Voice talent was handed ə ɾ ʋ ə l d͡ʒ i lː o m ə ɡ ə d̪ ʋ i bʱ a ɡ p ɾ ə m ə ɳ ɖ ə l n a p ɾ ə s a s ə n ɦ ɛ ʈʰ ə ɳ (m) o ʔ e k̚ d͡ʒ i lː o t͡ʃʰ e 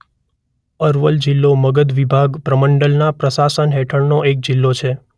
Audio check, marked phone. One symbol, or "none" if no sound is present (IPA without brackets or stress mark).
n